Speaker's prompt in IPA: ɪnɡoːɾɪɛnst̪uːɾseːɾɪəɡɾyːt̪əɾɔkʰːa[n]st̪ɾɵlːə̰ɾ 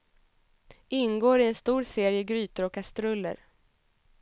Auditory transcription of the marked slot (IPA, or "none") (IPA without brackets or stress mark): none